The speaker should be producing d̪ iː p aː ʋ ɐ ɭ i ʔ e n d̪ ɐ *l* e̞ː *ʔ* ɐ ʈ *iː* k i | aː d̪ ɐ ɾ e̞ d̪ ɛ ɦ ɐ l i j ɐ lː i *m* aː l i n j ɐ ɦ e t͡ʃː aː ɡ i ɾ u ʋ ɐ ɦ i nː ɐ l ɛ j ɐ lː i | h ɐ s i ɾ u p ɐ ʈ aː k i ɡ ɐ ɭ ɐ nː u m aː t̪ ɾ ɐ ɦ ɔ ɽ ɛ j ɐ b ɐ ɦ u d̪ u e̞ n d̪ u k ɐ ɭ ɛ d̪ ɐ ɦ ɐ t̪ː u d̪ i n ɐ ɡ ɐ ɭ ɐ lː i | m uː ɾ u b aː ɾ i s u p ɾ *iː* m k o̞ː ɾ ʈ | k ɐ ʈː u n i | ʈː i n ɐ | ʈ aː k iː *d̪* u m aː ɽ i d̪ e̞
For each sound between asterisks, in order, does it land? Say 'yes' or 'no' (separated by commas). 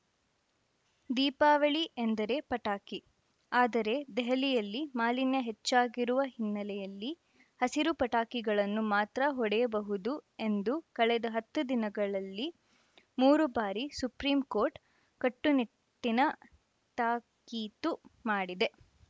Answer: no, no, no, yes, yes, no